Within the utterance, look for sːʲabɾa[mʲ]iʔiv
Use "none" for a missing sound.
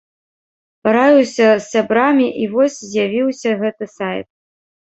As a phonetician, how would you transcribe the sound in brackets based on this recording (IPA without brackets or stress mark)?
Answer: mʲ